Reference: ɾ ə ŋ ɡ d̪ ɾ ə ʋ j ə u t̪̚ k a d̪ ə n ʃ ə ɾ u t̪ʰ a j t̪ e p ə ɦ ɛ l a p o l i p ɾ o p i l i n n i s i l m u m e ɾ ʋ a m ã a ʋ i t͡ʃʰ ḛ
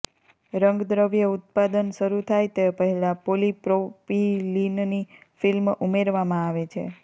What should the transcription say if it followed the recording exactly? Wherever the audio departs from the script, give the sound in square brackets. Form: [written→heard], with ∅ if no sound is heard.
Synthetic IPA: ɾ ə ŋ ɡ d̪ ɾ ə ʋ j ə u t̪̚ [k→p] a d̪ ə n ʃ ə ɾ u t̪ʰ a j t̪ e p ə ɦ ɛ l a p o l i p ɾ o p i l i n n i [s→f] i l m u m e ɾ ʋ a m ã a ʋ [i→e] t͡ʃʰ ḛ

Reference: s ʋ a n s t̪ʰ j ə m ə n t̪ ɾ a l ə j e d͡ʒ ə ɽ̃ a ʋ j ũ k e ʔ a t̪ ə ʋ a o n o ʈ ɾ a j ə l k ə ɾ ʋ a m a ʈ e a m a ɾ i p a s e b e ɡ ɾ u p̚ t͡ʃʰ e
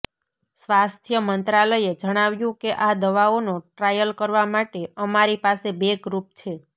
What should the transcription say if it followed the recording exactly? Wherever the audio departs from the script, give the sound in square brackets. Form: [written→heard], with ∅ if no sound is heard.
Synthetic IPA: s ʋ a [n→∅] s t̪ʰ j ə m ə n t̪ ɾ a l ə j e d͡ʒ ə ɽ̃ a ʋ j ũ k e ʔ a [t̪→d̪] ə ʋ a o n o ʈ ɾ a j ə l k ə ɾ ʋ a m a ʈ e [a→ə] m a ɾ i p a s e b e ɡ ɾ u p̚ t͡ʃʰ e

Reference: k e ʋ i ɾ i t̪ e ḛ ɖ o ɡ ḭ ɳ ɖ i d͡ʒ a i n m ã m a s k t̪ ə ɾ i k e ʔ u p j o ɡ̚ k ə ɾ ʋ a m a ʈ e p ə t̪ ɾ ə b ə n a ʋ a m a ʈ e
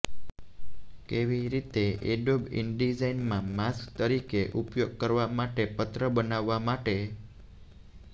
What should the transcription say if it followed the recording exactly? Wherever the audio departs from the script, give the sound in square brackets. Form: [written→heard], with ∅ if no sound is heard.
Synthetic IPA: k e ʋ i ɾ i t̪ e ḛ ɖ o [ɡ→b] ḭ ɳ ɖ i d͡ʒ a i n m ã m a s k t̪ ə ɾ i k e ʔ u p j o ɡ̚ k ə ɾ ʋ a m a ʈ e p ə t̪ ɾ ə b ə n a [ʋ→ʋː] a m a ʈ e

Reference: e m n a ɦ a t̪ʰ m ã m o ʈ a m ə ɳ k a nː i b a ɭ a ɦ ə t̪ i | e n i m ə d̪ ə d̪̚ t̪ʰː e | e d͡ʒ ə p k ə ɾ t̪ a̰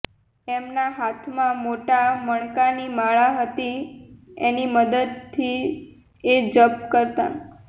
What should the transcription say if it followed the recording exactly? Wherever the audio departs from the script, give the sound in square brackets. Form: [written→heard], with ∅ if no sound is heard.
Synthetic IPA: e m n a ɦ a t̪ʰ m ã m o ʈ a m ə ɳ k a [nː→n] i [b→m] a ɭ a ɦ ə t̪ i | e n i m ə d̪ ə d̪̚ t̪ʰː [e→i] | e d͡ʒ ə p k ə ɾ t̪ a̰

